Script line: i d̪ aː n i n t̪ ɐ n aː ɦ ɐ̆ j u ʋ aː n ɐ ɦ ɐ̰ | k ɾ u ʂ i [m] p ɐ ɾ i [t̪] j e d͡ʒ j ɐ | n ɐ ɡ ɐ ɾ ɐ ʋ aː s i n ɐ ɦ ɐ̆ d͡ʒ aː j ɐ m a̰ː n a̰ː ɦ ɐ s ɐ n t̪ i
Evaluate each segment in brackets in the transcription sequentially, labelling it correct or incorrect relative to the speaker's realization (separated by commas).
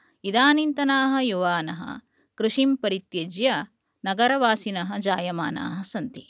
correct, correct